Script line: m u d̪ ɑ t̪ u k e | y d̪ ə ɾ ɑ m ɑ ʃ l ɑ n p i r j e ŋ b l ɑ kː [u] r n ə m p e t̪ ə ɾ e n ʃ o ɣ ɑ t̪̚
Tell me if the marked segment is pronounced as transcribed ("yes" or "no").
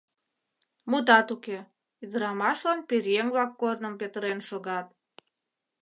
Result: no